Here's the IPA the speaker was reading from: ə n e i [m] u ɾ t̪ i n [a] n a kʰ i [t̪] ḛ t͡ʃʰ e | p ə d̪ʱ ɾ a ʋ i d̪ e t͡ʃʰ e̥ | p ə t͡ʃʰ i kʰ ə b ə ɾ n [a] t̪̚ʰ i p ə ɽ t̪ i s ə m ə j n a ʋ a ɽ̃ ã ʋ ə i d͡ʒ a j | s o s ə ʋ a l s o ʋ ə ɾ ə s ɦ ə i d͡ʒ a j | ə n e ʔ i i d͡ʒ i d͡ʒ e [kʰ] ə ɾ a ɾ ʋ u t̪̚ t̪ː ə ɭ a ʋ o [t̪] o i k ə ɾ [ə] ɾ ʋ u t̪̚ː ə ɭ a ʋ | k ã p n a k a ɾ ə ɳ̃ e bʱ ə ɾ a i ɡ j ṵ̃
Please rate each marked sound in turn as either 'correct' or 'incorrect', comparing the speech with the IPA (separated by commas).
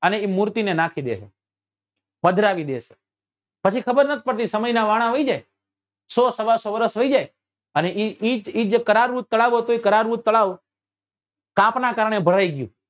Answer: correct, incorrect, incorrect, incorrect, incorrect, correct, incorrect